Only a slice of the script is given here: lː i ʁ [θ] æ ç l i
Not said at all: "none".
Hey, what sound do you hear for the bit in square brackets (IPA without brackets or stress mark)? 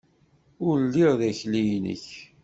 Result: ð